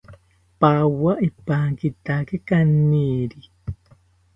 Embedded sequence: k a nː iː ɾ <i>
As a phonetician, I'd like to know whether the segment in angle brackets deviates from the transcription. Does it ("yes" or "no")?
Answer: no